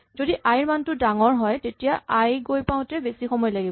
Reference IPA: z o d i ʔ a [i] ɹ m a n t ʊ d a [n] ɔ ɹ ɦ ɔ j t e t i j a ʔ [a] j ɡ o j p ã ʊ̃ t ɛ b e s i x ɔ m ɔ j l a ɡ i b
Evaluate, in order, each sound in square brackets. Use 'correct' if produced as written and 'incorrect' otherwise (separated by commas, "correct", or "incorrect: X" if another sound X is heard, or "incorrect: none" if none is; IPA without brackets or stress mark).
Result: incorrect: j, incorrect: ŋ, correct